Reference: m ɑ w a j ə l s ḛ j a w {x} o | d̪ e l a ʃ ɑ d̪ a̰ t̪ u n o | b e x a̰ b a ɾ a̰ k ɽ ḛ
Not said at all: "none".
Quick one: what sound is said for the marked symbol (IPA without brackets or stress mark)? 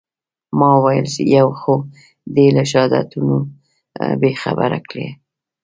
x